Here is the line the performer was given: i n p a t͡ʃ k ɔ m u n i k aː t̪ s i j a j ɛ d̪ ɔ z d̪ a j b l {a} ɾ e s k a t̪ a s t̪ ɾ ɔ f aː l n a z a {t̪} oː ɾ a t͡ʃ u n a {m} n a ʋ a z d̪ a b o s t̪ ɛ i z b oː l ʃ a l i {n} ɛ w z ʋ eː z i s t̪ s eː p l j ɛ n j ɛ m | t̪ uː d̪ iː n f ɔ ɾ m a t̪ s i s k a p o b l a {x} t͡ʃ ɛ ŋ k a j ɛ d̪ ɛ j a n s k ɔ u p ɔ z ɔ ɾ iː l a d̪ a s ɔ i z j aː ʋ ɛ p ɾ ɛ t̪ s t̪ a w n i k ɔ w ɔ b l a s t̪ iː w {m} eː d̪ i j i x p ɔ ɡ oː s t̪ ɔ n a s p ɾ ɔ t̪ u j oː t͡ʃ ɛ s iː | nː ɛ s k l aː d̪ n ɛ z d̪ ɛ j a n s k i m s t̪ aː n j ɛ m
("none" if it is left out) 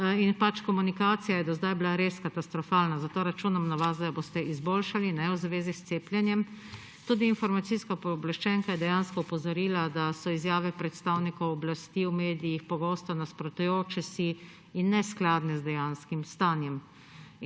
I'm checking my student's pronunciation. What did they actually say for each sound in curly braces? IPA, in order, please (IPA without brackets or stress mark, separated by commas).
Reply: a, t̪, m, n, ʃ, m